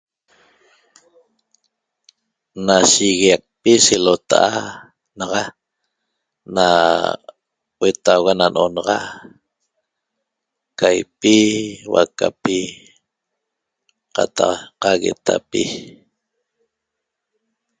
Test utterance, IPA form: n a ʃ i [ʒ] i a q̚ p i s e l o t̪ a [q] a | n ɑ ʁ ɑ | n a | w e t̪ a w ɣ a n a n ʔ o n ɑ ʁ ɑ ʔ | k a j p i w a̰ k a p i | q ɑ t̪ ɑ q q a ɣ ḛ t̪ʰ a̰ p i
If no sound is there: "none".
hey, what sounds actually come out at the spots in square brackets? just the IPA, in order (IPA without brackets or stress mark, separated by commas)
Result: ɣ, ʔ